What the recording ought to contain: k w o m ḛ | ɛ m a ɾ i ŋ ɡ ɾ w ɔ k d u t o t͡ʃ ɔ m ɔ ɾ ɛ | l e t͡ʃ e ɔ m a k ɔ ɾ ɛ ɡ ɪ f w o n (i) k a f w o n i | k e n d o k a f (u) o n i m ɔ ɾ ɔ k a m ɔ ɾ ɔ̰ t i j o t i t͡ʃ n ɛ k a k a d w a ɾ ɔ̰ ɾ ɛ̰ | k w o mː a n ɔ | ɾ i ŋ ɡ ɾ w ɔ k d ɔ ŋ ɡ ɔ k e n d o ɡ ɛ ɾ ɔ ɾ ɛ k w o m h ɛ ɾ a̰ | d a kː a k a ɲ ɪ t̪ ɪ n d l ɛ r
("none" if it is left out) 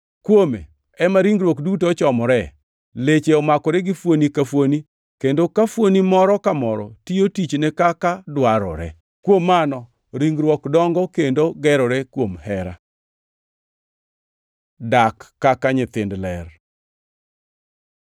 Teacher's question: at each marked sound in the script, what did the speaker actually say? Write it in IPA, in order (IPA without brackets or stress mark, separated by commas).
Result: i, w